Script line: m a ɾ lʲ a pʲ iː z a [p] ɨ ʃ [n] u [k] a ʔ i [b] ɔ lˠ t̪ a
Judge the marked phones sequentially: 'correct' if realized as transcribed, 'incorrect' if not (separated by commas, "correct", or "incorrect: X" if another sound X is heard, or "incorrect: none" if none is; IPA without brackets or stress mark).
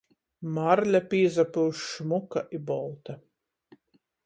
correct, incorrect: m, correct, correct